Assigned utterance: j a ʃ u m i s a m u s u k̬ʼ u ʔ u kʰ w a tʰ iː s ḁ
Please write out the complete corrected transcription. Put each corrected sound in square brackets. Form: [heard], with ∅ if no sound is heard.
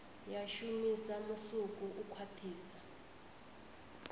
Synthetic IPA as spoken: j a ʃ u m i s a m u s u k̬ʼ u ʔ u kʰ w a tʰ iː s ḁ